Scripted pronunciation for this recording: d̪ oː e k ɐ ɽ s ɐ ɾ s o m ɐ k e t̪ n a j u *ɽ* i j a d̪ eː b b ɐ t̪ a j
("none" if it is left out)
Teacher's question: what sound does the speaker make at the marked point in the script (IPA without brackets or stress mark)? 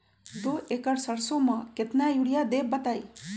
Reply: ɽ